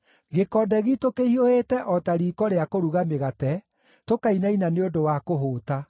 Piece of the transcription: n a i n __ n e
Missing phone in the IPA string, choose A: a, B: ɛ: A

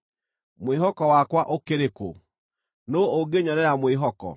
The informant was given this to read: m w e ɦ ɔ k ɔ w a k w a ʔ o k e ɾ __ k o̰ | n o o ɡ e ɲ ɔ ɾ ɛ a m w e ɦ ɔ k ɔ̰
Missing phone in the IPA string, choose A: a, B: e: B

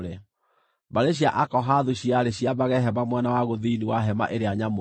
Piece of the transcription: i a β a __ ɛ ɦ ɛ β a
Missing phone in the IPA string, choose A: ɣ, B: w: A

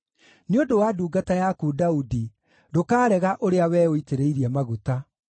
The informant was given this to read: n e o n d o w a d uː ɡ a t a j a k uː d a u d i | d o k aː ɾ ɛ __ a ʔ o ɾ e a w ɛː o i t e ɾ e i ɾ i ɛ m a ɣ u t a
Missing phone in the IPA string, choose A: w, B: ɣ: B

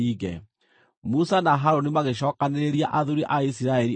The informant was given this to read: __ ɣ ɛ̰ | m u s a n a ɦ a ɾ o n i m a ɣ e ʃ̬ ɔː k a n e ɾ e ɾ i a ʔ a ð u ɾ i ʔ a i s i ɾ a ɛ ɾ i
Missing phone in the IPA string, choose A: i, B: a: A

